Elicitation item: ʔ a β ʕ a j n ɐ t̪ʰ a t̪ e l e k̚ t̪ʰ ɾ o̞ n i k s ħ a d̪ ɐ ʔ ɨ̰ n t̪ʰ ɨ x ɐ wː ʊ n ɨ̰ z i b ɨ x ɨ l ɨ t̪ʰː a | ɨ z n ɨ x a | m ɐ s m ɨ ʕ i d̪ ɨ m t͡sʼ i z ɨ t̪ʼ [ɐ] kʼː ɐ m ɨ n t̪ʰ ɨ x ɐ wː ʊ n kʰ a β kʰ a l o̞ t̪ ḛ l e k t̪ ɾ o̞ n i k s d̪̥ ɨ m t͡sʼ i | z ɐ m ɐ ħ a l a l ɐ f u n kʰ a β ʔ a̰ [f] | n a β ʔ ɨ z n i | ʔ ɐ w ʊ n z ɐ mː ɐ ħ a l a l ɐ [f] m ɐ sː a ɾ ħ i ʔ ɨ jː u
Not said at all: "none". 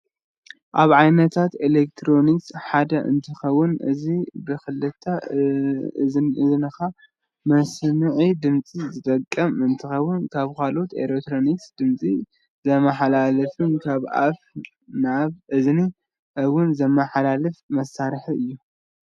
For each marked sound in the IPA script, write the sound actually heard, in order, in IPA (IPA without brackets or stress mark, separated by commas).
ɐ, f, f